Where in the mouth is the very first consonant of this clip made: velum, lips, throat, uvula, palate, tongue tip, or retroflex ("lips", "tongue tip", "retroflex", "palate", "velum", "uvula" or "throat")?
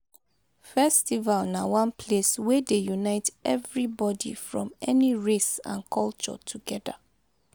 lips